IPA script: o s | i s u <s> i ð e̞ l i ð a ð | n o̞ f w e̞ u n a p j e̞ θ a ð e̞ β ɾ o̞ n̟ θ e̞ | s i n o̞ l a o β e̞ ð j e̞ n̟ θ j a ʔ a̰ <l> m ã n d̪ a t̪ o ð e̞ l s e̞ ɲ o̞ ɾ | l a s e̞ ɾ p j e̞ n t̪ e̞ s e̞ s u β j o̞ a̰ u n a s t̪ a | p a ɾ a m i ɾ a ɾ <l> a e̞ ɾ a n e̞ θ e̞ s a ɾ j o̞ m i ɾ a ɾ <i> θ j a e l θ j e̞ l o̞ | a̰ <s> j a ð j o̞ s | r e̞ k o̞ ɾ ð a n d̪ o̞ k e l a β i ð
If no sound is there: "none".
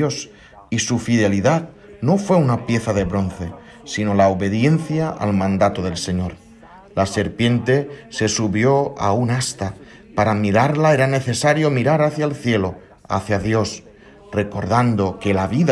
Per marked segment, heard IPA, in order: f, l, l, a, θ

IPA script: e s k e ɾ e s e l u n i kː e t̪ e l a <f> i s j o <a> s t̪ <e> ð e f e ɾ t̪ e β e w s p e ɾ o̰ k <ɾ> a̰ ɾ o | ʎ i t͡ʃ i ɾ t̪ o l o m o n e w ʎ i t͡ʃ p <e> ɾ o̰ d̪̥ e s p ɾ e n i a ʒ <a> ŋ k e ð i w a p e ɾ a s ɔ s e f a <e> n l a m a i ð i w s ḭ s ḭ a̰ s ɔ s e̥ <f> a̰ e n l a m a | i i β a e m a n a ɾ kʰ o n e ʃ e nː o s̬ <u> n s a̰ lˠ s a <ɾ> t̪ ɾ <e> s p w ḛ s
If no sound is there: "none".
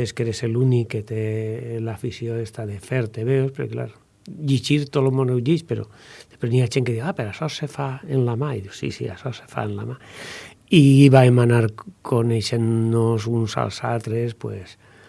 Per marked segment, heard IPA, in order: f, e, a, l, e, e, e, f, u, l, e

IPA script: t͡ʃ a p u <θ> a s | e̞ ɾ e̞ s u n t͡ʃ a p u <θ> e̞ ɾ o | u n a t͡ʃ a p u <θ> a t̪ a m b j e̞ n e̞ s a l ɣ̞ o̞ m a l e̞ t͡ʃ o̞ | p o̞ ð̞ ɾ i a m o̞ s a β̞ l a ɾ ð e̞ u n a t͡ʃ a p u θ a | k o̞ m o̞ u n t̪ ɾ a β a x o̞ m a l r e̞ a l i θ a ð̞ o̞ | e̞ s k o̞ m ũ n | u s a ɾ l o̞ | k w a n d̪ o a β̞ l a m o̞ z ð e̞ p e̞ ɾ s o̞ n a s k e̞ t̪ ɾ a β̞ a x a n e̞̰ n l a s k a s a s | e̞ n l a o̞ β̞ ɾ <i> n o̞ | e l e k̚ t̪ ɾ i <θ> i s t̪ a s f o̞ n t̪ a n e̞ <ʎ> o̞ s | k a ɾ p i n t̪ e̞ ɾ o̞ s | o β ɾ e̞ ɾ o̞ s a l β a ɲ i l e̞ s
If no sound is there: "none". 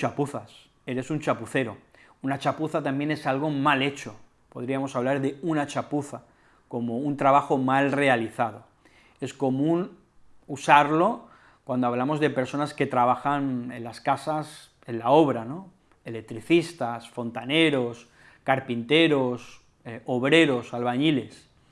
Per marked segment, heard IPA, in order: θ, θ, θ, a, θ, ɾ

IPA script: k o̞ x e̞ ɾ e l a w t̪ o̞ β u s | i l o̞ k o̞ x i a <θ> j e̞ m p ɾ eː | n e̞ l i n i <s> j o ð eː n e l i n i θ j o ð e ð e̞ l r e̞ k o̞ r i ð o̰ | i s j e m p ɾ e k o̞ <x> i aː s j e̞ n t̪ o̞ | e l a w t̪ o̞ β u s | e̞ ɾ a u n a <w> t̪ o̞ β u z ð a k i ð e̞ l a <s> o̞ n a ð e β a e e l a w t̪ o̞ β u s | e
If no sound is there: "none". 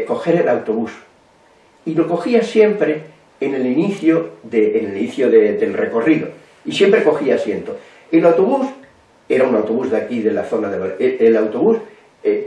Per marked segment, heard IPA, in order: s, θ, x, w, θ

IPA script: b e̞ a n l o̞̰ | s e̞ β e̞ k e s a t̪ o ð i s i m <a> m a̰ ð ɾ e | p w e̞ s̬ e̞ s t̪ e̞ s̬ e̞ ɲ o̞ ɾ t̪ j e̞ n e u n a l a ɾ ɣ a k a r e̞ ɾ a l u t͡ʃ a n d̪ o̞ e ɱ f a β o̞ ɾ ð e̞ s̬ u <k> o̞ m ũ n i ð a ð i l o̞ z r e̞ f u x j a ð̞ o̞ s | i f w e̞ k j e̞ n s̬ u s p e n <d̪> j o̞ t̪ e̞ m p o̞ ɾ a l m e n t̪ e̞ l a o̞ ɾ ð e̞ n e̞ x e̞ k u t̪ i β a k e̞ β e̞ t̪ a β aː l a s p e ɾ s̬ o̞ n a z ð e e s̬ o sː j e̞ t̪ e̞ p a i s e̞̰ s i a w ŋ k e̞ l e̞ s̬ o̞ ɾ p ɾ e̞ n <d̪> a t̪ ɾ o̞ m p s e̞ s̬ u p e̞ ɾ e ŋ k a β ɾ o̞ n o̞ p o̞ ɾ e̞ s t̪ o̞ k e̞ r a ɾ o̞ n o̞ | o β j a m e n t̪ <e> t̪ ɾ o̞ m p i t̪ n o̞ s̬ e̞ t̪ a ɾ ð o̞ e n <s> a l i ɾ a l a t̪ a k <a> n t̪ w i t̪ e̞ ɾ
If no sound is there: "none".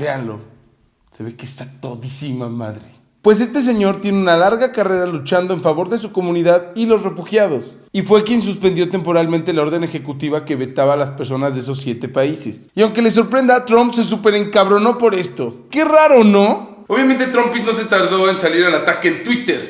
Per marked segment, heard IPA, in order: a, k, d̪, d̪, e, s, e

